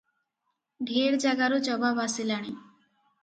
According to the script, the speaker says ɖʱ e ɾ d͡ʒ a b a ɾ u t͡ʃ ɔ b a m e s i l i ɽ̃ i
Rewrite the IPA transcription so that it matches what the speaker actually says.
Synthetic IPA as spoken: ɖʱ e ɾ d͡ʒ a ɡ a ɾ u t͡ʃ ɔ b a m a s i l a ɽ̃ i